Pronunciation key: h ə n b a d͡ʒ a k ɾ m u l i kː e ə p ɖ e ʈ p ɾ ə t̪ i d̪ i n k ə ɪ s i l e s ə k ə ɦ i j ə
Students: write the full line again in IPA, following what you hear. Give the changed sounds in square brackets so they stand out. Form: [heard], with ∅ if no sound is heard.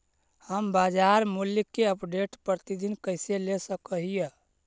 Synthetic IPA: h ə [m] b a d͡ʒ a [∅] ɾ m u l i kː e ə p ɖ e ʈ p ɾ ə t̪ i d̪ i n k ə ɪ s [e] l e s ə k ə ɦ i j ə